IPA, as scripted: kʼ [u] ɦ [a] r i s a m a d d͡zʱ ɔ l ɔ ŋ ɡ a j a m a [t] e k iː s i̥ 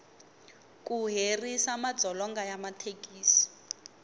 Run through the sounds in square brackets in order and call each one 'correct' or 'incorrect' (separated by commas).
correct, incorrect, incorrect